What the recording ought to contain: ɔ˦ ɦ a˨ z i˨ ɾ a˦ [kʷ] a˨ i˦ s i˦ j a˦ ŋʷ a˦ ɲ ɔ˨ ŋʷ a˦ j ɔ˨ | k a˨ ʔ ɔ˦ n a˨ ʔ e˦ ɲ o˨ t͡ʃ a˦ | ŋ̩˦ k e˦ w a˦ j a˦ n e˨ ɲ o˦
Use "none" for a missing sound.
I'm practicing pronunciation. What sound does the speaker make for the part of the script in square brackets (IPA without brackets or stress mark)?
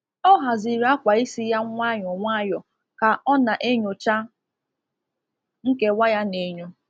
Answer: kʷ